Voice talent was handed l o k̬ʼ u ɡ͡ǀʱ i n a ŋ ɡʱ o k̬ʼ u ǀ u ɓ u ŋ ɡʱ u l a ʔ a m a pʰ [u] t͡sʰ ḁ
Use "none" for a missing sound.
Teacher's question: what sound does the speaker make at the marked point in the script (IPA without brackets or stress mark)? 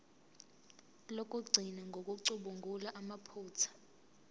uː